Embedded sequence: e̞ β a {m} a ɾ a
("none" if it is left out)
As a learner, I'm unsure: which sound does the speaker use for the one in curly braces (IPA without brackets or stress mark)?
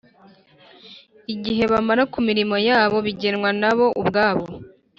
m